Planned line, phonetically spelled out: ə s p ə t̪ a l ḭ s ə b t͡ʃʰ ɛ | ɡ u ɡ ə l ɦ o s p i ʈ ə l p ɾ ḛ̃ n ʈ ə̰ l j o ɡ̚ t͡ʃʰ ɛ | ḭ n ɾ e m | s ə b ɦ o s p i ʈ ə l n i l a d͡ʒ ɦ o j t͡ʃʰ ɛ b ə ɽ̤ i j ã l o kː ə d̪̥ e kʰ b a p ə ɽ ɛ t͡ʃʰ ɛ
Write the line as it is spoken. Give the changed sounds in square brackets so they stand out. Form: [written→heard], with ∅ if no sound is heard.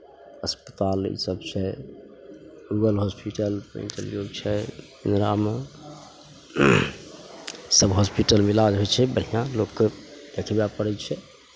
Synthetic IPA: ə s p ə t̪ a l ḭ s ə b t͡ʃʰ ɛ | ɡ u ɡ ə l ɦ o s p i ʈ ə l p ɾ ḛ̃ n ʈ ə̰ l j o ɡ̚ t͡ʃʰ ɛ | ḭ n ɾ [e→a] m | s ə b ɦ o s p i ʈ ə l [n→m] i l a d͡ʒ ɦ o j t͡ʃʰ ɛ b ə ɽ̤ i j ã l o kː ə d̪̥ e kʰ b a p ə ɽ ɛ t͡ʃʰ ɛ

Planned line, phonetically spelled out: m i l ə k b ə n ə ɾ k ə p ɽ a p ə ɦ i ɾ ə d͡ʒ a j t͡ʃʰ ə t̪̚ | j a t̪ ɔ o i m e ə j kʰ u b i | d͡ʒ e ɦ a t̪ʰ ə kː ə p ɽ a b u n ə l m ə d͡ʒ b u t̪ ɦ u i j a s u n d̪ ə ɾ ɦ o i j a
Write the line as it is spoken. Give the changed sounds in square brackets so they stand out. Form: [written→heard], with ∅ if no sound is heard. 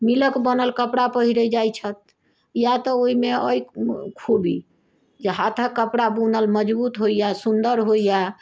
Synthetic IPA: m i l ə k b ə n ə [ɾ→l] k ə p ɽ a p ə ɦ i ɾ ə d͡ʒ a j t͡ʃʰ ə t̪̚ | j a t̪ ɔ o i m e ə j kʰ u b i | d͡ʒ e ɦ a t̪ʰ ə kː ə p ɽ a b u n ə l m ə d͡ʒ b u t̪ ɦ [u→o] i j a s u n d̪ ə ɾ ɦ o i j a

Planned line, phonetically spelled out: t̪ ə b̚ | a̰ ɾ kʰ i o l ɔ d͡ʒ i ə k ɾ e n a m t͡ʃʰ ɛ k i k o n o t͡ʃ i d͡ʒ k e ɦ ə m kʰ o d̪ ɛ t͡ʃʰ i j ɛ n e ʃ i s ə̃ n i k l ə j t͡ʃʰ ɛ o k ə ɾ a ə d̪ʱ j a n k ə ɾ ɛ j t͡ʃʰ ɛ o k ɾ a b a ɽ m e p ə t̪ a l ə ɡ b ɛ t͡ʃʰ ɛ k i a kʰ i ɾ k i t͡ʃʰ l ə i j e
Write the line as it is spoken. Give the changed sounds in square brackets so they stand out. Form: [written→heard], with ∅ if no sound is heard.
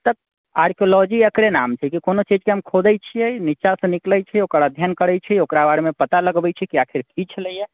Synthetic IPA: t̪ ə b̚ | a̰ ɾ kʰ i o l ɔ d͡ʒ i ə k ɾ e n a m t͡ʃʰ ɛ k i k o n o t͡ʃ i d͡ʒ k e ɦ ə m kʰ o d̪ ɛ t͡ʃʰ i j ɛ n [e→i] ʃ [i→a] s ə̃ n i k l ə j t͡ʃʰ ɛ o k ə ɾ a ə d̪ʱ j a n k ə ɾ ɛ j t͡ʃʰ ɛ o k ɾ a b a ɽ m e p ə t̪ a l ə ɡ b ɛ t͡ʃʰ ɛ k i a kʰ i ɾ k i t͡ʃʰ l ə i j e

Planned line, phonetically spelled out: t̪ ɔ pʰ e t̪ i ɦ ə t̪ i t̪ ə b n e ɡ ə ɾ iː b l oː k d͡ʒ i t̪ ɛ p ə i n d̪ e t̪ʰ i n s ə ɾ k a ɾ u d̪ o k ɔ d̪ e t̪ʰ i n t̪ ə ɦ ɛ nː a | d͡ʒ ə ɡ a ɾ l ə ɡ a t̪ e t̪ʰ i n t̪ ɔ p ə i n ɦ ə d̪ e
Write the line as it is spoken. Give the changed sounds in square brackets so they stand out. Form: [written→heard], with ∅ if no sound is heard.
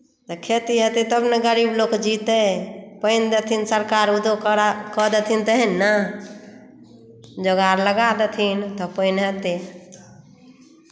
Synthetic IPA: t̪ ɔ [pʰ→kʰ] e t̪ i ɦ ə t̪ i t̪ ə b n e ɡ ə ɾ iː b l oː k d͡ʒ i t̪ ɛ p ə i n d̪ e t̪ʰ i n s ə ɾ k a ɾ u d̪ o k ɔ d̪ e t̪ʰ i n t̪ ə ɦ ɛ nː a | d͡ʒ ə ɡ a ɾ l ə ɡ a [t̪→d̪] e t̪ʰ i n t̪ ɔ p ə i n ɦ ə [d̪→t̪] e

